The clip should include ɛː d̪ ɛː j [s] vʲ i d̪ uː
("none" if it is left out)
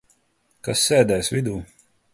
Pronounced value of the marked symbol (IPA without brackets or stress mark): s